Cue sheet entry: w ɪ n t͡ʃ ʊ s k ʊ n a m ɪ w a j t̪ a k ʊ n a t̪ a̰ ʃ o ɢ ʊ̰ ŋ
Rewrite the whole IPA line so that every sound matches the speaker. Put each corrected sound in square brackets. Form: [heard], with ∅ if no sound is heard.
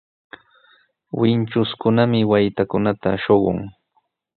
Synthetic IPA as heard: w ɪ n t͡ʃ ʊ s k ʊ n a m ɪ w a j t̪ a k ʊ n a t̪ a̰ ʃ o ɢ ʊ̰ ŋ